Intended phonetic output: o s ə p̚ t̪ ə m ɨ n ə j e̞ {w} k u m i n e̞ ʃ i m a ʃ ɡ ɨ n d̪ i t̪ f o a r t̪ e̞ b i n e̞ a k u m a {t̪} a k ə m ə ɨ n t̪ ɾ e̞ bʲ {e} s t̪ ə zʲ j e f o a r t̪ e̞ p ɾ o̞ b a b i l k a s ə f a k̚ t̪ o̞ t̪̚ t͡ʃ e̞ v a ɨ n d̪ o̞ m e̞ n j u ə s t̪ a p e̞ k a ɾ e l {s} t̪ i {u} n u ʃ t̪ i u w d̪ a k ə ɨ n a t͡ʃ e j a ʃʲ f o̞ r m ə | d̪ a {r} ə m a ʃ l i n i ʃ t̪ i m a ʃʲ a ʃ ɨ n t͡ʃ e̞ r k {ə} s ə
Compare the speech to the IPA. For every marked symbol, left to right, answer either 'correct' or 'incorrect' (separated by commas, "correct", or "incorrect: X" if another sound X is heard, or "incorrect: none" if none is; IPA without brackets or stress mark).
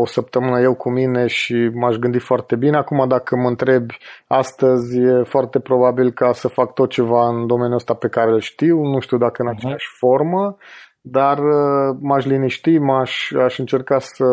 correct, incorrect: d̪, incorrect: a, incorrect: ʃ, incorrect: w, correct, incorrect: a